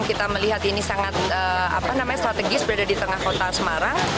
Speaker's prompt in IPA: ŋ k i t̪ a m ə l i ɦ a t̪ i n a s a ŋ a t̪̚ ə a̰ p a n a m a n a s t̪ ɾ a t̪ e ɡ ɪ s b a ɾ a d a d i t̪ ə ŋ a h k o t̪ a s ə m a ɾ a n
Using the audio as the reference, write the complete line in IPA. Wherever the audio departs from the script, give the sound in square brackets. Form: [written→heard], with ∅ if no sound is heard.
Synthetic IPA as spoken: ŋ k i t̪ a m ə l i ɦ a t̪ i n [a→i] s a ŋ a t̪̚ ə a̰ p a n a m a [n→ɲ] a s t̪ ɾ a t̪ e ɡ ɪ s b [a→ə] ɾ a d a d i t̪ ə ŋ a h k o t̪ a s ə m a ɾ a [n→ŋ]